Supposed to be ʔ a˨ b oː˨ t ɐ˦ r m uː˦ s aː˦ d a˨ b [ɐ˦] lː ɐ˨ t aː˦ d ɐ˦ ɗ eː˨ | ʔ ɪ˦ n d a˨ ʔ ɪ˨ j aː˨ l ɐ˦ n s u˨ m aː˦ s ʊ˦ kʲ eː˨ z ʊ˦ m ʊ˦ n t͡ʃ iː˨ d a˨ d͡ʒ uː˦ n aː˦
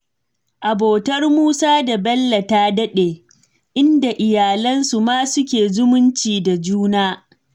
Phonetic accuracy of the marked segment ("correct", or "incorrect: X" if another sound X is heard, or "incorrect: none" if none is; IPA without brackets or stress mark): correct